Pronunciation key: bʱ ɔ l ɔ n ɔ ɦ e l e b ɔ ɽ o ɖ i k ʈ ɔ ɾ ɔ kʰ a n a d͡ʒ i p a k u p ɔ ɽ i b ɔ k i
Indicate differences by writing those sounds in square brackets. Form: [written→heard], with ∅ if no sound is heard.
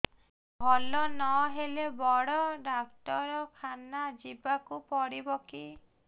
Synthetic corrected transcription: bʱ ɔ l ɔ n ɔ ɦ e l e b ɔ ɽ [o→ɔ] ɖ [i→a] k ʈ ɔ ɾ ɔ kʰ a n a d͡ʒ i [p→b] a k u p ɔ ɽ i b ɔ k i